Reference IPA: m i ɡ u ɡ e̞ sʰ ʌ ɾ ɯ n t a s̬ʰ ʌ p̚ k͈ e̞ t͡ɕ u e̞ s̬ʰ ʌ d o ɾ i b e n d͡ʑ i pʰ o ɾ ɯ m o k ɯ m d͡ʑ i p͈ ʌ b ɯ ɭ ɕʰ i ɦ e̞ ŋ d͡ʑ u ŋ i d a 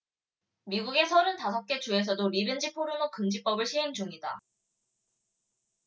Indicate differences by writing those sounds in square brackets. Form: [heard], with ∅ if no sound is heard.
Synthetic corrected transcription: m i ɡ u ɡ e̞ sʰ ʌ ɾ ɯ n t a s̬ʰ ʌ p̚ k͈ e̞ t͡ɕ u e̞ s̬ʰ ʌ d o ɾ i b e n d͡ʑ i pʰ o ɾ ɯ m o k ɯ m d͡ʑ i p͈ ʌ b ɯ ɭ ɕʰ i ɦ e̞ ŋ d͡ʑ u ŋ i d a